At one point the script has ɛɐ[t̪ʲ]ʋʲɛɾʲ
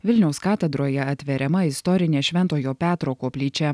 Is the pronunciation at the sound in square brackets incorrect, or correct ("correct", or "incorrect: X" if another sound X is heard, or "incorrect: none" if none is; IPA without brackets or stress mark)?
correct